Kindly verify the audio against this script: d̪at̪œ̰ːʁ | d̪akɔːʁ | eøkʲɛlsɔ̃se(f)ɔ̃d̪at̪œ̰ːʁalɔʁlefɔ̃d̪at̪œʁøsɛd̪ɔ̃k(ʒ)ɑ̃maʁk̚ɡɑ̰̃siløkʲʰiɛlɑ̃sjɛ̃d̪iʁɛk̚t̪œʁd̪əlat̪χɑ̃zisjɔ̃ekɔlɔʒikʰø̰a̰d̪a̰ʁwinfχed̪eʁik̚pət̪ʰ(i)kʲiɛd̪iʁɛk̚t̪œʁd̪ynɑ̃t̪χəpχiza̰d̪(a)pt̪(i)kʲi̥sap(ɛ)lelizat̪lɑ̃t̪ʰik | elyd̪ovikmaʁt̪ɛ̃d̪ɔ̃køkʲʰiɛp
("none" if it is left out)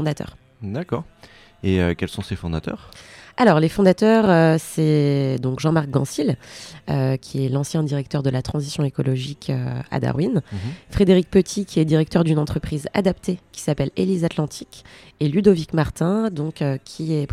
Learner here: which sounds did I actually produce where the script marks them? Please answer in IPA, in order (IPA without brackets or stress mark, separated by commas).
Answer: f, ʒ, i, a, e, ɛ